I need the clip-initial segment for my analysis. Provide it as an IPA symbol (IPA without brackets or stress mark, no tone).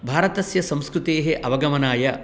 bʱ